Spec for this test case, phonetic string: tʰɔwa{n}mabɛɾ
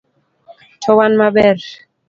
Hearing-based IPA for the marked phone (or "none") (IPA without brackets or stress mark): n